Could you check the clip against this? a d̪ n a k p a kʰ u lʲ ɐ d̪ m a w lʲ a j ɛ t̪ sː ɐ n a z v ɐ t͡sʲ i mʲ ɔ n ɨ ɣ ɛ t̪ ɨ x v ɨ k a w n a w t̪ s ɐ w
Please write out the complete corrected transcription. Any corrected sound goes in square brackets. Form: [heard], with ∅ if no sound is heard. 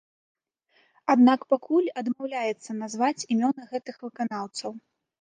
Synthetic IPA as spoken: a d̪ n a k p a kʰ u lʲ ɐ d̪ m a w lʲ a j ɛ t̪ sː ɐ n a z v [a] t͡sʲ i mʲ ɔ n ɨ ɣ ɛ t̪ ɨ x v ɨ k a [∅] n a w t̪ s ɐ w